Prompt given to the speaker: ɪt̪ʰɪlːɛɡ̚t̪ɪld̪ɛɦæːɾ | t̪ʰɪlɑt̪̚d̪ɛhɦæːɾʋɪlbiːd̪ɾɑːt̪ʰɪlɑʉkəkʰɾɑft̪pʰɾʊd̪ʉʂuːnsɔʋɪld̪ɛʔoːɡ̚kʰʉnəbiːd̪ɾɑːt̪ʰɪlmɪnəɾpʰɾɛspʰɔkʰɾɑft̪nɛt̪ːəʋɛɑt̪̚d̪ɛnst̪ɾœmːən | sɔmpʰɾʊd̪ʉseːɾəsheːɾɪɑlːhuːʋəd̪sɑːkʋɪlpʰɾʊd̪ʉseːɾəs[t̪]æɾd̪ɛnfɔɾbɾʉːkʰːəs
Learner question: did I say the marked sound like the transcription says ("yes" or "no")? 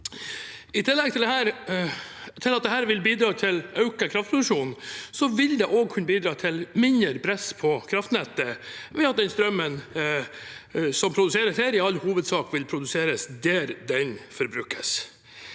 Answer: no